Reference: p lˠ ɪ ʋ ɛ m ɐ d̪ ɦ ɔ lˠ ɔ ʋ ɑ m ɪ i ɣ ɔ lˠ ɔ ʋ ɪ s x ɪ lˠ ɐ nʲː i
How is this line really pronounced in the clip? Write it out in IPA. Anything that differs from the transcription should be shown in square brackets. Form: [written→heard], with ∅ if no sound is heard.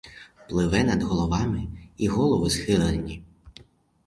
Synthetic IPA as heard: p lˠ ɪ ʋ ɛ [m→n] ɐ d̪ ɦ ɔ lˠ ɔ ʋ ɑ m ɪ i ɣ ɔ lˠ ɔ ʋ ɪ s x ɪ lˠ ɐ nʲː i